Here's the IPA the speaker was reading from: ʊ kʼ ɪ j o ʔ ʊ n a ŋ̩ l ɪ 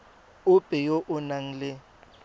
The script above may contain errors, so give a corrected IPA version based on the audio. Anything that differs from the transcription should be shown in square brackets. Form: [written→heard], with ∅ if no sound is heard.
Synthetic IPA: ʊ [kʼ→pʼ] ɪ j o ʔ ʊ n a ŋ̩ l ɪ